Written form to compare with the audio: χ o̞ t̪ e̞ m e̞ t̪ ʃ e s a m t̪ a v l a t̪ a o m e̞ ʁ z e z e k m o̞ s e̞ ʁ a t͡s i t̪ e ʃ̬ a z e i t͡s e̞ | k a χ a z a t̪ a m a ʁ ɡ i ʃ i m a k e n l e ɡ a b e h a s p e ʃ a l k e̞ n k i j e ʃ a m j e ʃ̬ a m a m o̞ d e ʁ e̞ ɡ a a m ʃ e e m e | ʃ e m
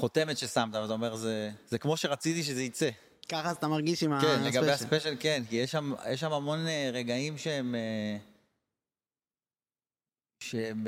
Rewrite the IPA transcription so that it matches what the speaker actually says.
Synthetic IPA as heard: χ o̞ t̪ e̞ m e̞ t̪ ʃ e s a m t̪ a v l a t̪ a o m e̞ ʁ z e z e k m o̞ ʃ e̞ ʁ a t͡s i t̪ i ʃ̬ e z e i t͡s e̞ | k a χ a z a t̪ a m a ʁ ɡ i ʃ i m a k e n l e ɡ a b e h a s p e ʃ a l k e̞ n k i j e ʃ a m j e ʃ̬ a m a m o̞ n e ʁ e̞ ɡ a i m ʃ e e m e | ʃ e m